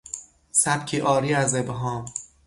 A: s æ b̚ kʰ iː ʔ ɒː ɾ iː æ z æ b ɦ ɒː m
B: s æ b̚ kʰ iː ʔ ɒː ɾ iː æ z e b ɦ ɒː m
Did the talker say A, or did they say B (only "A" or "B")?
B